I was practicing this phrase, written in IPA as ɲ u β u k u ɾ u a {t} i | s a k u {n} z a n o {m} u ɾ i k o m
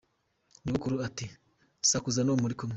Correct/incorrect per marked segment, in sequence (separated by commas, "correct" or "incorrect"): correct, incorrect, correct